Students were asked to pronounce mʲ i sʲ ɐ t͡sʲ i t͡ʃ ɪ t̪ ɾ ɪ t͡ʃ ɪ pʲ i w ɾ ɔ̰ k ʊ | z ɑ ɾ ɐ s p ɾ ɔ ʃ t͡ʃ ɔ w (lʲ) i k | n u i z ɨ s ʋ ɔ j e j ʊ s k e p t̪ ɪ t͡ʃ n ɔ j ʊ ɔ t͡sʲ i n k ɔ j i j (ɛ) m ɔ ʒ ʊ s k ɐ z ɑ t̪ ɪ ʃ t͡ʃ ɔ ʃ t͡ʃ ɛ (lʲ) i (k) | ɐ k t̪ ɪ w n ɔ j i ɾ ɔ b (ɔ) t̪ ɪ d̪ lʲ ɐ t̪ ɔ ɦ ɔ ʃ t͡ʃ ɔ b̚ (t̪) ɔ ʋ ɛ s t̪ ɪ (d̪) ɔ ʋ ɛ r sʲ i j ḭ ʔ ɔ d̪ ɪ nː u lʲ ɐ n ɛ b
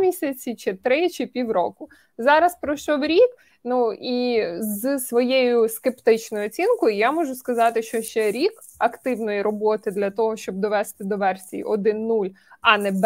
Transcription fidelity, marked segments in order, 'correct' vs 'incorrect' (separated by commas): incorrect, incorrect, incorrect, correct, correct, incorrect, correct